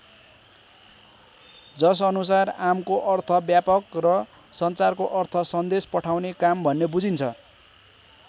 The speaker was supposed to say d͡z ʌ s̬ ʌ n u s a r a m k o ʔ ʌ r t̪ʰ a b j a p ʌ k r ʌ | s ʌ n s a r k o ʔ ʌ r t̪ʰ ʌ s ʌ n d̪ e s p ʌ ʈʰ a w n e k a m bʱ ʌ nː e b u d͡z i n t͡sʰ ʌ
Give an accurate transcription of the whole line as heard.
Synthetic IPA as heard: d͡z ʌ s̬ ʌ n u s a r a m k o ʔ ʌ r t̪ʰ ʌ b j a p ʌ k r ʌ | s ʌ n t͡s a r k o ʔ ʌ r t̪ʰ ʌ s ʌ n d̪ e s p ʌ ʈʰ a w n e k a m bʱ ʌ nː e b u d͡z i n t͡sʰ ʌ